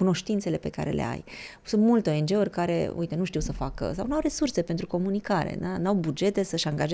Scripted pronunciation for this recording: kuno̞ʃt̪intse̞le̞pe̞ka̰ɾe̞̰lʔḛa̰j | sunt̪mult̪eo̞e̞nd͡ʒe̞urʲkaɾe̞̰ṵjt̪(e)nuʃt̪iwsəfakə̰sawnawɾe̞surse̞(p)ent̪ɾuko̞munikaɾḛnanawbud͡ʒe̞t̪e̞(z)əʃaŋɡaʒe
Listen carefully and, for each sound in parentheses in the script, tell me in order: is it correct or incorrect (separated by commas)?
correct, correct, incorrect